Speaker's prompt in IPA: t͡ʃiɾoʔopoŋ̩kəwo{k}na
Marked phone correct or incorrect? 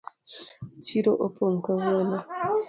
incorrect